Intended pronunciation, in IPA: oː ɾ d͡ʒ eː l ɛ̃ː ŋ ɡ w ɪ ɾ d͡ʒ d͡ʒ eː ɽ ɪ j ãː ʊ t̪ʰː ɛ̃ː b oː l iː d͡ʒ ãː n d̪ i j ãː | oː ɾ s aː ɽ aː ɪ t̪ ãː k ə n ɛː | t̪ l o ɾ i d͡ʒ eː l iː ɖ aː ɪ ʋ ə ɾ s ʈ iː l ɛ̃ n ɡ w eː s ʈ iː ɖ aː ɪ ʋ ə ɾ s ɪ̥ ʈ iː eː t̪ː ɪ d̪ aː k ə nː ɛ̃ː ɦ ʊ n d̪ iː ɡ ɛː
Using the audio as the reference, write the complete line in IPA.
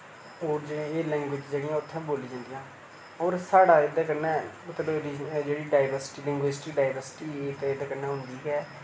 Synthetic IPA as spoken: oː ɾ d͡ʒ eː l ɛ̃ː ŋ ɡ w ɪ d͡ʒ d͡ʒ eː ɽ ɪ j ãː ʊ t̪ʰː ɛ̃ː b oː l iː d͡ʒ ãː n d̪ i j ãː | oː ɾ s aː ɽ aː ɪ d̪ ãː k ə n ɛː | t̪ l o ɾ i d͡ʒ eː ɽ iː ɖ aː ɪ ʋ ə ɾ s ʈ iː l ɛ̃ ŋ ɡ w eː s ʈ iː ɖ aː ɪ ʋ ə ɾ s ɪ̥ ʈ iː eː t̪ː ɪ d̪ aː k ə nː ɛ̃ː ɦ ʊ n d̪ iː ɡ ɛː